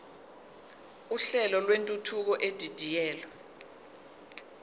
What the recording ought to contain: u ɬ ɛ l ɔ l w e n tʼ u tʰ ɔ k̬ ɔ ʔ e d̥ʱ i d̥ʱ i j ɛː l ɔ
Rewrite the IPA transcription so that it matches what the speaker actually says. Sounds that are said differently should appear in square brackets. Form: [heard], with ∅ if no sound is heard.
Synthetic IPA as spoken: u ɬ ɛ l ɔ l w e n tʼ u tʰ [u] k̬ ɔ ʔ e d̥ʱ i d̥ʱ i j ɛː l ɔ